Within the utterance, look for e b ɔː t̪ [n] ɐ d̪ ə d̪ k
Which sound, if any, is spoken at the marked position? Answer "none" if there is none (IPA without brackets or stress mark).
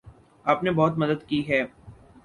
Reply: m